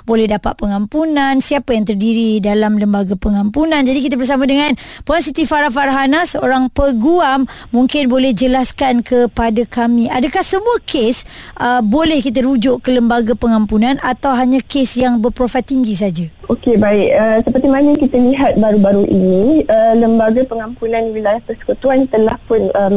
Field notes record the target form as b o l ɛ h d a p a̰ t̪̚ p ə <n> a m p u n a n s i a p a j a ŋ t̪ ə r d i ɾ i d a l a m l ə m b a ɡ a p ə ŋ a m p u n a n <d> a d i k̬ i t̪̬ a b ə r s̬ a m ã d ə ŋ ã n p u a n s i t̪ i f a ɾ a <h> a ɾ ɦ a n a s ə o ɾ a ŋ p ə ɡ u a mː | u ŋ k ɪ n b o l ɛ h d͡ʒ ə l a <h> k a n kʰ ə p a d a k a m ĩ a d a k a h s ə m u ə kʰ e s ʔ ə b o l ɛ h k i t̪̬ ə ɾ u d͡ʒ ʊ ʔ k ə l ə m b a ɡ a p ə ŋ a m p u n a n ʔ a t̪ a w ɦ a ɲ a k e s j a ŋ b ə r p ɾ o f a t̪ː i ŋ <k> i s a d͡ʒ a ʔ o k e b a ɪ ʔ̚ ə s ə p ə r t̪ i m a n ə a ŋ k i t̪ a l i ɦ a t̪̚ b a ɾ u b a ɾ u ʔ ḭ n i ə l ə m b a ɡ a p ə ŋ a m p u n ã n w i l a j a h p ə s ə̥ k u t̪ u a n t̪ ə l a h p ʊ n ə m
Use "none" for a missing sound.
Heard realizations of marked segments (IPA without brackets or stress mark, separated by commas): ŋ, d͡ʒ, f, s, ɡ